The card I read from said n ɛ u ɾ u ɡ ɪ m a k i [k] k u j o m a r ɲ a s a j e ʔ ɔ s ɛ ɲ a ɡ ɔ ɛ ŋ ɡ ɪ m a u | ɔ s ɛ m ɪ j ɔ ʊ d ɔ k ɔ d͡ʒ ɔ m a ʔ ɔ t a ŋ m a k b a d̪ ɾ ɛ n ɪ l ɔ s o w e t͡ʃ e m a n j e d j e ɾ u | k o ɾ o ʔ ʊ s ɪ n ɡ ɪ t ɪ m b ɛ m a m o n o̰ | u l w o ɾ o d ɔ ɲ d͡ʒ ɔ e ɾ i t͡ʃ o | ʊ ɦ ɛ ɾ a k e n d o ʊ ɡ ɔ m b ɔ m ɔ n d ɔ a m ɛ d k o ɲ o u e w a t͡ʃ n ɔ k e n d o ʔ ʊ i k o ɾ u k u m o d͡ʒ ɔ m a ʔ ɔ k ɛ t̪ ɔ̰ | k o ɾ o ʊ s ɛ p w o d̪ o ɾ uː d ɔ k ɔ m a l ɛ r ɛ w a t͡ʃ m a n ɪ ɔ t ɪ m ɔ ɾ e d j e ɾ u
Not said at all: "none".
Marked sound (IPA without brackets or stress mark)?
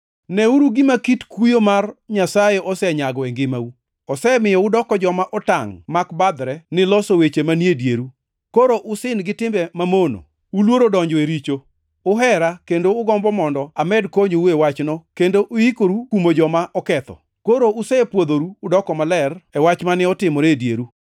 t